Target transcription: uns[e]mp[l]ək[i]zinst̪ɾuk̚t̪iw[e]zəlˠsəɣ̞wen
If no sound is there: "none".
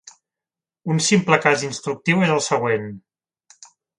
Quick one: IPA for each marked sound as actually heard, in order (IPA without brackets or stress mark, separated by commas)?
i, l, a, e